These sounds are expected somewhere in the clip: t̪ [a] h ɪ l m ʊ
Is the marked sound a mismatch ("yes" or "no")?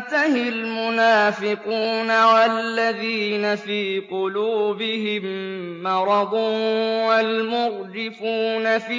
no